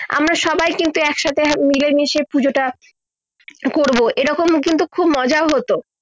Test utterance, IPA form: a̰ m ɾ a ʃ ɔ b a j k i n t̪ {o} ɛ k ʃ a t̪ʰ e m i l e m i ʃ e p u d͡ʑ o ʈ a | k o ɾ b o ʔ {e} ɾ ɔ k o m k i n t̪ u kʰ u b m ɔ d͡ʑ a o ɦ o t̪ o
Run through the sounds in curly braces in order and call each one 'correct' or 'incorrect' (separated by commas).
incorrect, correct